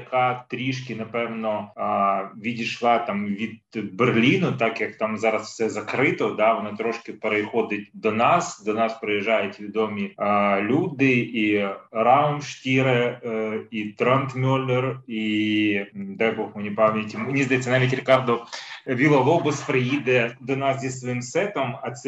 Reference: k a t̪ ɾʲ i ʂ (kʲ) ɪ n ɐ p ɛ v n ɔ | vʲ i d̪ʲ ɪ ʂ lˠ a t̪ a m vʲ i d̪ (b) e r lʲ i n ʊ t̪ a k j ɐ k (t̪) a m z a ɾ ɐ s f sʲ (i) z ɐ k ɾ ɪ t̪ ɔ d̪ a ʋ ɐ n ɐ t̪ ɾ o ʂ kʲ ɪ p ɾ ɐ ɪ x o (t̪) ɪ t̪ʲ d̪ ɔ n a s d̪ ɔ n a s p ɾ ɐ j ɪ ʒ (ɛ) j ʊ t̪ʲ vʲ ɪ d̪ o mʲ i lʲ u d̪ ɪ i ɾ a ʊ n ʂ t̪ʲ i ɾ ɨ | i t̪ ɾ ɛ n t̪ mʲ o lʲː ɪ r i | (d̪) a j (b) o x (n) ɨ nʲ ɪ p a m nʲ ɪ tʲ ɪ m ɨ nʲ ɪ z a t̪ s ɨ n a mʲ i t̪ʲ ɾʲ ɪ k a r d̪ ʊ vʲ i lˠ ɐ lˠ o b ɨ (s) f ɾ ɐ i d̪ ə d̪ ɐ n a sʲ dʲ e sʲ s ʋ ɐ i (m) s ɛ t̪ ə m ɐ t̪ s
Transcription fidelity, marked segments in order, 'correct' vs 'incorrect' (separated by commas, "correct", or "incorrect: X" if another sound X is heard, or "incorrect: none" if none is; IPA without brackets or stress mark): correct, correct, correct, incorrect: ɛ, incorrect: d̪, incorrect: a, correct, correct, incorrect: m, correct, correct